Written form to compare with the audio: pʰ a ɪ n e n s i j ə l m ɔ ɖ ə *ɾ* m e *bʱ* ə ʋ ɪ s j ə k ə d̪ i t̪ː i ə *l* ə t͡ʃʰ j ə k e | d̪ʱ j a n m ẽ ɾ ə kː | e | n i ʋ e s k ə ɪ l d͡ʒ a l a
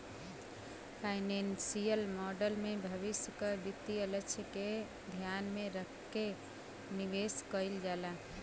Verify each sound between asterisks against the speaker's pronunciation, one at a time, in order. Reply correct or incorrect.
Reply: incorrect, correct, correct

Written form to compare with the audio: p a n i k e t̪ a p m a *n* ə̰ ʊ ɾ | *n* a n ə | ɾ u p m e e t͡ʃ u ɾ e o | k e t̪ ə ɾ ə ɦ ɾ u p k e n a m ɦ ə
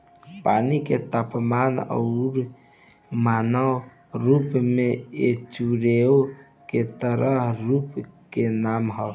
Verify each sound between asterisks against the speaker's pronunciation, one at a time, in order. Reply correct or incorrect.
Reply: correct, incorrect

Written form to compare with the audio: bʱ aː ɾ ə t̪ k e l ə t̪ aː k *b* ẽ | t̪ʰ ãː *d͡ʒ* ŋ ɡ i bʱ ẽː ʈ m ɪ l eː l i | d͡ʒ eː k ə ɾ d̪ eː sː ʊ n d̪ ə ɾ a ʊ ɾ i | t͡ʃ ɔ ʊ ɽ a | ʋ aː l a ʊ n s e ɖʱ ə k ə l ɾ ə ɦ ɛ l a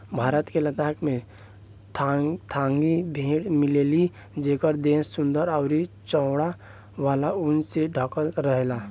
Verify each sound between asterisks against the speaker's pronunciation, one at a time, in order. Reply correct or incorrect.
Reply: incorrect, incorrect

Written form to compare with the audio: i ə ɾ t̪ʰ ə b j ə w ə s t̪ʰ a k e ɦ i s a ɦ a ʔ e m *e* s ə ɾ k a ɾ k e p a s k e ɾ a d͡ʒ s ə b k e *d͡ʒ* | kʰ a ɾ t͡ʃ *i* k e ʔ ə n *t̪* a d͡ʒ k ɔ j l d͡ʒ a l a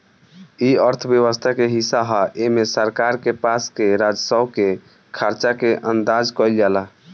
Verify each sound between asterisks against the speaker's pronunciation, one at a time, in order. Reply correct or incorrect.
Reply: correct, incorrect, incorrect, incorrect

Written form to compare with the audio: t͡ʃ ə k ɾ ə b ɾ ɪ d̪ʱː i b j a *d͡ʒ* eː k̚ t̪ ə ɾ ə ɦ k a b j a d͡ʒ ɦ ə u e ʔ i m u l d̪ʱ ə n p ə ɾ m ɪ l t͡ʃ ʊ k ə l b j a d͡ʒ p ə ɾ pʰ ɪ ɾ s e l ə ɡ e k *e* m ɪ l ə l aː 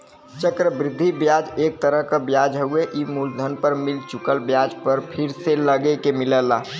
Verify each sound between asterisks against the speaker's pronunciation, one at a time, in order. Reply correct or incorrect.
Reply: correct, correct

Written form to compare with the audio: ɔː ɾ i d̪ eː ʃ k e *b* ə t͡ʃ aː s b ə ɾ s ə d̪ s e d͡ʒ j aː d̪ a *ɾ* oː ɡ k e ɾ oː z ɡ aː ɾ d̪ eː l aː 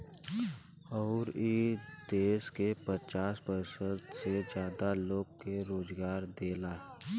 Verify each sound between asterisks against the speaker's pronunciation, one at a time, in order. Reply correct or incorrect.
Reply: incorrect, incorrect

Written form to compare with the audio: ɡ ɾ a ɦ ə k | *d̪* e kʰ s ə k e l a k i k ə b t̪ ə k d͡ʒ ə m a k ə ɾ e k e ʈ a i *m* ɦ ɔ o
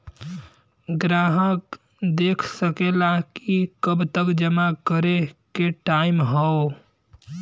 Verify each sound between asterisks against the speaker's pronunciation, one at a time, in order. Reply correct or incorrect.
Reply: correct, correct

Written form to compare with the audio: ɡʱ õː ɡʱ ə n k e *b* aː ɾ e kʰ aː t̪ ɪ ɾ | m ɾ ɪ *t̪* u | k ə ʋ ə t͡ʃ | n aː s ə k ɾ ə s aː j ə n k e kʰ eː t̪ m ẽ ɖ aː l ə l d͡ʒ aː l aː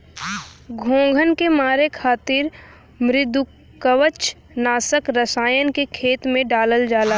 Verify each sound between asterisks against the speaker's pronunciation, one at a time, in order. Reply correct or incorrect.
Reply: incorrect, incorrect

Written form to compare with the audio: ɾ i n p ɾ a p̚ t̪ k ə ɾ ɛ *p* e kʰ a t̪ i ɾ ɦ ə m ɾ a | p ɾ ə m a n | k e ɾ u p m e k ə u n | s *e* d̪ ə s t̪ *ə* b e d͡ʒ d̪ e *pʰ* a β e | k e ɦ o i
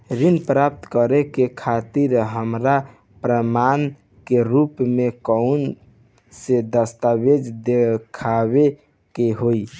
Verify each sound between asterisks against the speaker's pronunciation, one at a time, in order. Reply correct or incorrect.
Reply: incorrect, correct, incorrect, incorrect

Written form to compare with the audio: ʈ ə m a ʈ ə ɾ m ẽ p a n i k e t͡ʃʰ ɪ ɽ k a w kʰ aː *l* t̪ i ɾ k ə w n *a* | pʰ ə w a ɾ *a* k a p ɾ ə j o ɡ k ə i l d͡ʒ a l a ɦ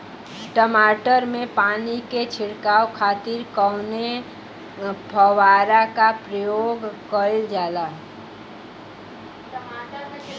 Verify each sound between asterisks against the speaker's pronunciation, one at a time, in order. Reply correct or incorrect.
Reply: incorrect, incorrect, correct

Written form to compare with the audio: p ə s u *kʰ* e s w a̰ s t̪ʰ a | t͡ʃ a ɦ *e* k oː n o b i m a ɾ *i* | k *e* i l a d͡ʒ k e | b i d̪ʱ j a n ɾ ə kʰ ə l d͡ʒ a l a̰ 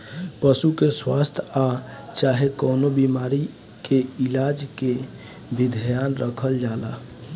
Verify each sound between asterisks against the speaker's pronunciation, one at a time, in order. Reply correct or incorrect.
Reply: incorrect, correct, correct, correct

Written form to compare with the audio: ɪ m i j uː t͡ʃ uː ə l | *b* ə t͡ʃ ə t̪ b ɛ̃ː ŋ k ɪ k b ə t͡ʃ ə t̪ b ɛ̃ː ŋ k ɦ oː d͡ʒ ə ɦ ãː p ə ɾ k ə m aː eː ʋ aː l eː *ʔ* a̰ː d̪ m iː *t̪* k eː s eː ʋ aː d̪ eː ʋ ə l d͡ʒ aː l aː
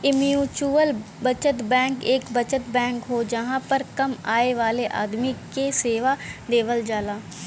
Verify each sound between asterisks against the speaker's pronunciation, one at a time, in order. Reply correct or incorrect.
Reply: correct, correct, incorrect

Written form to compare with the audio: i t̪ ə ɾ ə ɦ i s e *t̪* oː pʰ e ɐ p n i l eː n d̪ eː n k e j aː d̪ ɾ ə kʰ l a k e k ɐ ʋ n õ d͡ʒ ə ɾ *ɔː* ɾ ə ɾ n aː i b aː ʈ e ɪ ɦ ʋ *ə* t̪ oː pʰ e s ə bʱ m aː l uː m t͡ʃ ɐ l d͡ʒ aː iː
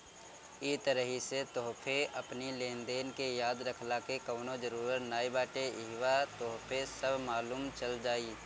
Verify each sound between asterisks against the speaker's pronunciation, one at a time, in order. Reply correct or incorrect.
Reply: correct, incorrect, incorrect

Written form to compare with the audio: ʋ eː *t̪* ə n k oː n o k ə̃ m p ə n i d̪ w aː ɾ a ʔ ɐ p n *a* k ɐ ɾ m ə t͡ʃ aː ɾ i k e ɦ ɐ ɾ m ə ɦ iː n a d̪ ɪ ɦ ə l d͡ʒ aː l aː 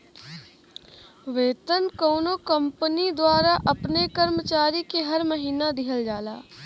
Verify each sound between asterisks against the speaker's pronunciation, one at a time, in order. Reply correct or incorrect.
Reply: correct, incorrect

